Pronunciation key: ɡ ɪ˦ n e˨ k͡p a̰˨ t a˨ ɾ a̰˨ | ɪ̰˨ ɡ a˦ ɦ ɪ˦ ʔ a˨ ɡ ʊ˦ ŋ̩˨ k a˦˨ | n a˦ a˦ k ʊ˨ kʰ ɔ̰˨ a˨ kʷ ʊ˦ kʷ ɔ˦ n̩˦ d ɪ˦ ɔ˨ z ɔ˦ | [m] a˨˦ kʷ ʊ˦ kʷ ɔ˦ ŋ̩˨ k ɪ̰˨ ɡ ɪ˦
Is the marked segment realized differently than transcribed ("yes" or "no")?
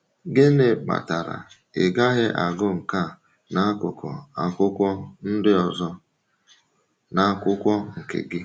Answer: yes